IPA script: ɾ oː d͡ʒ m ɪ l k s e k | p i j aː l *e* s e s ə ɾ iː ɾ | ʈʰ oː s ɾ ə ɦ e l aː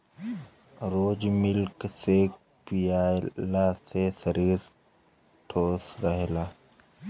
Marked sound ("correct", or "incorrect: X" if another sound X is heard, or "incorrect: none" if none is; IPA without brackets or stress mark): incorrect: a